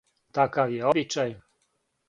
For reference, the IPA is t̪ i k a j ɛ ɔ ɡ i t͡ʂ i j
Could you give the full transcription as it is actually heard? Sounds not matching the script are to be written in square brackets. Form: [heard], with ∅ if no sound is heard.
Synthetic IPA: t̪ [a] k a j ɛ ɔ [b] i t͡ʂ [a] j